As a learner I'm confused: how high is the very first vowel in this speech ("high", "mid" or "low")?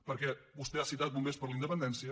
mid